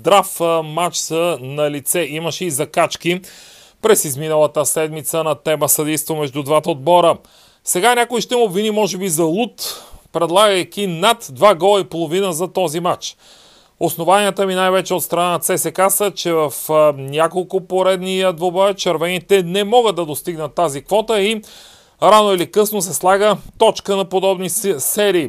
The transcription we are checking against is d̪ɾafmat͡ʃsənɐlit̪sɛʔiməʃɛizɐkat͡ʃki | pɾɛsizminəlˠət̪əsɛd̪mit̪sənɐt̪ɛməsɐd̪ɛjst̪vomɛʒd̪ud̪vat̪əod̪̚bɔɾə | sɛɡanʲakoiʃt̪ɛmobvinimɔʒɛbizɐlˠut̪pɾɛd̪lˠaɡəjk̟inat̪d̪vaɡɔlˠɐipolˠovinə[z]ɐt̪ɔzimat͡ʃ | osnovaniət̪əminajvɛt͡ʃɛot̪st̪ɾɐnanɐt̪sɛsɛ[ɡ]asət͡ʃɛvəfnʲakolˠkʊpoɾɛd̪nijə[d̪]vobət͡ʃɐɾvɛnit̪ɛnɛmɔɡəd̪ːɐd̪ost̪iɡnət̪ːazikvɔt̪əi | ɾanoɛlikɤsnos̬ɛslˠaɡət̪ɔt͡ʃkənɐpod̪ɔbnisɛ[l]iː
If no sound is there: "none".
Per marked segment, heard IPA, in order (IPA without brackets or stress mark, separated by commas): z, k, d̪, ɾ